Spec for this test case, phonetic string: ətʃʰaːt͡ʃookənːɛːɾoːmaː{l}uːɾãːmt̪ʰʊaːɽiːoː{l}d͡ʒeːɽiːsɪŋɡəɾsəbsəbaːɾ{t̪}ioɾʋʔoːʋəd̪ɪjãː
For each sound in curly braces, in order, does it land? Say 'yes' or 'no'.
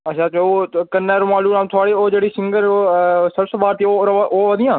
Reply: yes, no, yes

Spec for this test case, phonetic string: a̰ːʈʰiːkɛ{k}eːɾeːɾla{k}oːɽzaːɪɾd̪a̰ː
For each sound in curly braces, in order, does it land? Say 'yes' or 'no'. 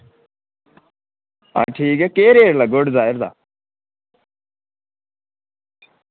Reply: yes, no

